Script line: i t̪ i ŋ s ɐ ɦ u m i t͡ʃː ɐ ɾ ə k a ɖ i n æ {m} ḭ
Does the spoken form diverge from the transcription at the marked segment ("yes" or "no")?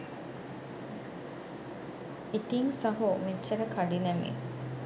no